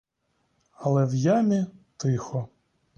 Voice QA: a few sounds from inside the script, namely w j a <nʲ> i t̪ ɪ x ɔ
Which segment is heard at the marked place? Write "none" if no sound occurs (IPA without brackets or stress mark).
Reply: mʲ